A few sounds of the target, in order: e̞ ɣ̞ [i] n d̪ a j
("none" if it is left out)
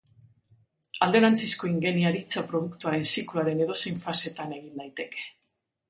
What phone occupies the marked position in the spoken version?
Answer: i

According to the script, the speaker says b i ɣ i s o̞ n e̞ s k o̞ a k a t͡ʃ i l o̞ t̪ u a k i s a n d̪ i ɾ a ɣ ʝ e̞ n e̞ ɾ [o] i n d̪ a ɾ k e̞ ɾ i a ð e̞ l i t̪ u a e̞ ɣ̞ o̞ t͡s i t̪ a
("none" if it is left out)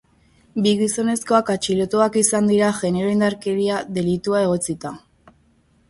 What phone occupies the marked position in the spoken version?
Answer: o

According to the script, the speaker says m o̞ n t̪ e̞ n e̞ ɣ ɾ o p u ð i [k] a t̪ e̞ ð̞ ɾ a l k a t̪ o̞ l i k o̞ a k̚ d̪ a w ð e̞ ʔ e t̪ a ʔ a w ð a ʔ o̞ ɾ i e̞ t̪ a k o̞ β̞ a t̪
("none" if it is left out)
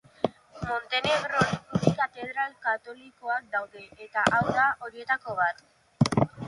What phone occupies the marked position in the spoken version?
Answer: k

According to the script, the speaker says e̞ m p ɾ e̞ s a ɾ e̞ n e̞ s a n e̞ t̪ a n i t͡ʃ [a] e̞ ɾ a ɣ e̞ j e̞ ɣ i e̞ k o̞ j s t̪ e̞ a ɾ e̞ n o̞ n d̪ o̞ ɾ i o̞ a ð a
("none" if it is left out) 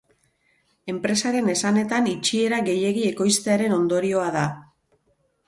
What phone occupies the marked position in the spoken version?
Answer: i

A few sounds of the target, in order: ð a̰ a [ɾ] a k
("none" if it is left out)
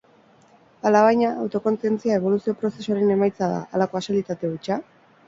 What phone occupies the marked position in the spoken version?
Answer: l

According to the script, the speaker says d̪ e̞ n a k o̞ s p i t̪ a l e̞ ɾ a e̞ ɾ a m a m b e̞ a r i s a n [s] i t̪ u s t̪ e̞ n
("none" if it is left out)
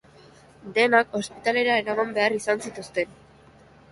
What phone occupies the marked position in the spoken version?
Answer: s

